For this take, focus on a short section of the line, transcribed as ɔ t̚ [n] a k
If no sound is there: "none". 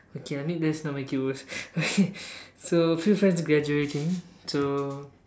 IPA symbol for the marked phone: m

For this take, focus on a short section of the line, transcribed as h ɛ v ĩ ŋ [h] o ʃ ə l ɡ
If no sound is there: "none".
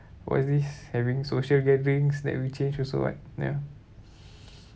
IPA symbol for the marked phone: s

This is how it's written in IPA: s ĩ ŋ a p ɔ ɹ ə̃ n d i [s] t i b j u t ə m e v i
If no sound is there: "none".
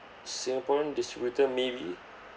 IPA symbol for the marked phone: s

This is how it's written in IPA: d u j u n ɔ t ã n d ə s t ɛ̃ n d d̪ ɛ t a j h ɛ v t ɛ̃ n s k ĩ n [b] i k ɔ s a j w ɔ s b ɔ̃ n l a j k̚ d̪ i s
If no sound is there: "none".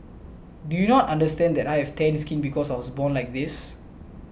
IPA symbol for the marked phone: b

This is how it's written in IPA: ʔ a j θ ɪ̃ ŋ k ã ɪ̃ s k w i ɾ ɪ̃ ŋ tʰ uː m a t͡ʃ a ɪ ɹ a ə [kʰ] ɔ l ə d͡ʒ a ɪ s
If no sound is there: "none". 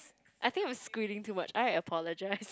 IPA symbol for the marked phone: pʰ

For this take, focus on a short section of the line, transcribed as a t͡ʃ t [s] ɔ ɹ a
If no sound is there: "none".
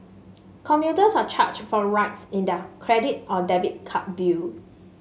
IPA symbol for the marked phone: f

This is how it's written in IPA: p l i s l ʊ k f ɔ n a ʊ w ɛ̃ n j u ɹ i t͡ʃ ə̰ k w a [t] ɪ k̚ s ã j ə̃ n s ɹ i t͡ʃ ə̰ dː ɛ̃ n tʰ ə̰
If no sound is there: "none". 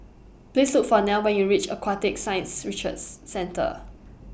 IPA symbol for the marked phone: t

